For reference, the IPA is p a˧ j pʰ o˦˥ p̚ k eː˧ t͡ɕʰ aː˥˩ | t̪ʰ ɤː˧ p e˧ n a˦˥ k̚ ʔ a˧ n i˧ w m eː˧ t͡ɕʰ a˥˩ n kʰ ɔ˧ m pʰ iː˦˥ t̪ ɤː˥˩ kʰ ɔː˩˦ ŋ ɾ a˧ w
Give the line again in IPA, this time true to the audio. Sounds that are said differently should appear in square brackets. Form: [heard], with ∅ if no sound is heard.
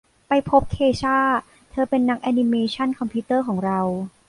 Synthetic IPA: p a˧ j pʰ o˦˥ p̚ [kʰ] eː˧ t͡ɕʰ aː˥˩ | t̪ʰ ɤː˧ p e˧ [nː] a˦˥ k̚ ʔ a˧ n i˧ [∅] m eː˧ t͡ɕʰ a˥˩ n kʰ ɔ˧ m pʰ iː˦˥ t̪ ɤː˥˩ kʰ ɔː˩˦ ŋ ɾ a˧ w